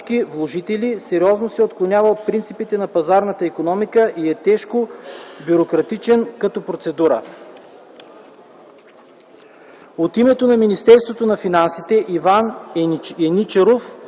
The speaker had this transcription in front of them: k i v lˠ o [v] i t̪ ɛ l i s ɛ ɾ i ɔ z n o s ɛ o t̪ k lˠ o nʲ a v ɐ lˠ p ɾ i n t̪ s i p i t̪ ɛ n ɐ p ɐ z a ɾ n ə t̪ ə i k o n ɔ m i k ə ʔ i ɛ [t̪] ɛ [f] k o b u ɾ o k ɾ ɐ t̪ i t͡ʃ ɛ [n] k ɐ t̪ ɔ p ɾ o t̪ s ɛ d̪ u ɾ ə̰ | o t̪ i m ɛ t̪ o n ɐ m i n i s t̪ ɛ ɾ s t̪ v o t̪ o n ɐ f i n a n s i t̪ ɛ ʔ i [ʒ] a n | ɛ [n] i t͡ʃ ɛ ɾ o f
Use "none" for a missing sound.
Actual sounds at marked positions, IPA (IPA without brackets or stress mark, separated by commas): ʒ, t̪, ʃ, n, v, n